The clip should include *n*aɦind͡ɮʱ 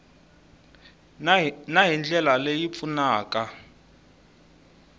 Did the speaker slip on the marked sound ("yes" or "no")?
no